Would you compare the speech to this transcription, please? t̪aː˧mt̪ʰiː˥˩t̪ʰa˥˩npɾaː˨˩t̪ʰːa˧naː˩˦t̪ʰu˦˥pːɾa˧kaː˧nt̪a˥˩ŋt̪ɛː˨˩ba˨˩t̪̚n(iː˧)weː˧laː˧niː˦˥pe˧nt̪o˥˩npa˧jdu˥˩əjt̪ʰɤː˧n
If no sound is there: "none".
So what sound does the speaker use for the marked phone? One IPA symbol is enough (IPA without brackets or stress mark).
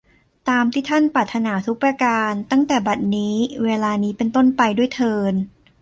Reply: iː˦˥